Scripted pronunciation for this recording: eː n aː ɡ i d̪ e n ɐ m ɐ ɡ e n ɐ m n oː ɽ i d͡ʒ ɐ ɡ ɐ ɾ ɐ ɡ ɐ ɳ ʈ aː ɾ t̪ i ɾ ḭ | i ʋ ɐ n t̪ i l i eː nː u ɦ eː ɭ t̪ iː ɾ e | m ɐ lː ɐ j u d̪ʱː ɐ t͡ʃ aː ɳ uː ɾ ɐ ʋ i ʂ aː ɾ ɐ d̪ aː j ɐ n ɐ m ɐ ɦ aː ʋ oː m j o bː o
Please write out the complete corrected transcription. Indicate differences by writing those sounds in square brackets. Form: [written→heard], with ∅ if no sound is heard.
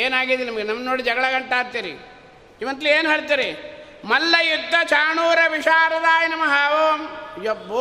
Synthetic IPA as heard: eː n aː ɡ i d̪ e n ɐ m ɐ ɡ e n ɐ m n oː ɽ i d͡ʒ ɐ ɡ ɐ [ɾ→ɭ] ɐ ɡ ɐ ɳ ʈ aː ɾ t̪ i ɾ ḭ | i ʋ ɐ n t̪ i l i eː [nː→n] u ɦ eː ɭ t̪ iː ɾ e | m ɐ lː ɐ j u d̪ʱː ɐ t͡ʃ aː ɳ uː ɾ ɐ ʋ i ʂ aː ɾ ɐ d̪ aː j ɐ n ɐ m ɐ ɦ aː ʋ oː m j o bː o